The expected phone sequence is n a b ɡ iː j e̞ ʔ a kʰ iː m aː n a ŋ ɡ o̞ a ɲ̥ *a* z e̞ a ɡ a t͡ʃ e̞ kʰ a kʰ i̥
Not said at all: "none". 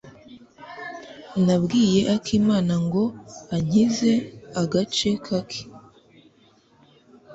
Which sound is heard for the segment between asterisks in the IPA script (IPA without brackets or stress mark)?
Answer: i